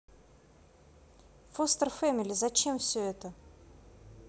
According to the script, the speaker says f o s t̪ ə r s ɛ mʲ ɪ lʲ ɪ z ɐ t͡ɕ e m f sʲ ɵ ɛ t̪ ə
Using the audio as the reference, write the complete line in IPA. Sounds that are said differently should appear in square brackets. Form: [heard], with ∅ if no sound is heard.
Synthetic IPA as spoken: f o s t̪ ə r [f] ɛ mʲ ɪ lʲ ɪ z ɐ t͡ɕ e m f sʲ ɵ ɛ t̪ ə